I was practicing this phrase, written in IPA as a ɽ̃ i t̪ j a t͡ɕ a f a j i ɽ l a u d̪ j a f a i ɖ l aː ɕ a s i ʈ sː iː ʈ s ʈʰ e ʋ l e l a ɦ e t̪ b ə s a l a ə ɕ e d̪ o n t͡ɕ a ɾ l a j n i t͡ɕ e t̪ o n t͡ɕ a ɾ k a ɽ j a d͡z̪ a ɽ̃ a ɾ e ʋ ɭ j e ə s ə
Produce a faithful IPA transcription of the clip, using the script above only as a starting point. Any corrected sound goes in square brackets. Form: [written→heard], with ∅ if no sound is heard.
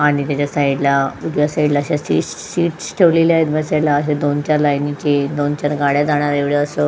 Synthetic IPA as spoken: a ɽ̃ i t̪ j a t͡ɕ a [f→s] a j i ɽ l a u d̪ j a [f→s] a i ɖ l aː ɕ a s i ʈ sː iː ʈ s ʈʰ e ʋ l e l a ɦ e t̪ b ə s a l a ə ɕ e d̪ o n t͡ɕ a ɾ l a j n i t͡ɕ e [t̪→d̪] o n t͡ɕ a ɾ [k→ɡ] a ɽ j a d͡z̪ a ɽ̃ a ɾ e ʋ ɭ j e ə s ə